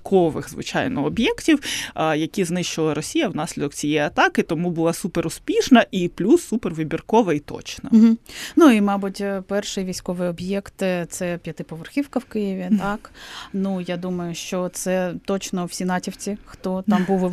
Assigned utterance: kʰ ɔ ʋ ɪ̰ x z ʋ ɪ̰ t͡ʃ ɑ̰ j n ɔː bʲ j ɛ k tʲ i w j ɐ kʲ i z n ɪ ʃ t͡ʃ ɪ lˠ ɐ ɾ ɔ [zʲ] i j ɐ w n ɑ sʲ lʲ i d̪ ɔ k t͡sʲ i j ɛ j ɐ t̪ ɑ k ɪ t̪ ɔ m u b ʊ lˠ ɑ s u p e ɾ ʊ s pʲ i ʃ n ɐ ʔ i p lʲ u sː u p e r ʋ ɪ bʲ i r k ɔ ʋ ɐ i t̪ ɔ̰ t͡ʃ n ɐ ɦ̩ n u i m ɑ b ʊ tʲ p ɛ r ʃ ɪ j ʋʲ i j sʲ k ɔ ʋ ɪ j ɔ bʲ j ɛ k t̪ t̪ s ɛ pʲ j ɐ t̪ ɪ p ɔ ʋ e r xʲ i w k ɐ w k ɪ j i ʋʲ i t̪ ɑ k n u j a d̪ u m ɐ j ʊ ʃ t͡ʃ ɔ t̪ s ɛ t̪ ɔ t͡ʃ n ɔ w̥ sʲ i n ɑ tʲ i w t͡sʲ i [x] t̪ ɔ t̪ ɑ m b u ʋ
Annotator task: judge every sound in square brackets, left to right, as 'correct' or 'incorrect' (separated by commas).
incorrect, correct